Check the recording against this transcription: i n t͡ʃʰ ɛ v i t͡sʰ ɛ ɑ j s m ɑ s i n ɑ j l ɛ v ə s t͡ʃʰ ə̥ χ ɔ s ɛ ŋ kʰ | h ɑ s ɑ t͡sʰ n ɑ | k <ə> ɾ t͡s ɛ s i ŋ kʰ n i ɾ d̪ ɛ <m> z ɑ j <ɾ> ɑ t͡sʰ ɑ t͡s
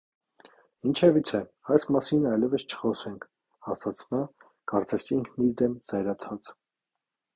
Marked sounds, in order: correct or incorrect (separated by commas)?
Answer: incorrect, correct, correct